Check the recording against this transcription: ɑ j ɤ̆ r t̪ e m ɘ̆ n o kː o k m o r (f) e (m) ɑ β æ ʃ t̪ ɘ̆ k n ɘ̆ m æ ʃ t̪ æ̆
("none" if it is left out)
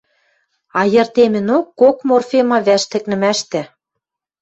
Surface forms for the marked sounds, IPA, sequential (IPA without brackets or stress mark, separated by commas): f, m